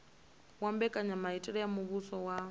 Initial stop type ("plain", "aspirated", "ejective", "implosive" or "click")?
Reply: plain